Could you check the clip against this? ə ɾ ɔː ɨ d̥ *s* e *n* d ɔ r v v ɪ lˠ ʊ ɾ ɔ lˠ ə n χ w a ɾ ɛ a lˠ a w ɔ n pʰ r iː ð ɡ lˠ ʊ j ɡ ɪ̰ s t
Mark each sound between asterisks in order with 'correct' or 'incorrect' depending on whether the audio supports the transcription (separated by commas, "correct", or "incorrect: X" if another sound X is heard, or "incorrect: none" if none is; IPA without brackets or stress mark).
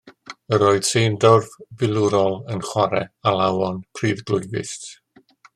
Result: correct, correct